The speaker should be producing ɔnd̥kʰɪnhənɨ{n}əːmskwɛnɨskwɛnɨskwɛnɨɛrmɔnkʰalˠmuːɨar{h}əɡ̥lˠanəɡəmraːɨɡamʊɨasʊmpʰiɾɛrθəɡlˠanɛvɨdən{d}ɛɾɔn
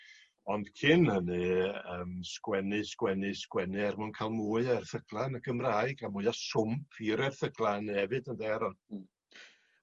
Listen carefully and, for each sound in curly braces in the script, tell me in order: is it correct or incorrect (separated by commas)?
incorrect, incorrect, correct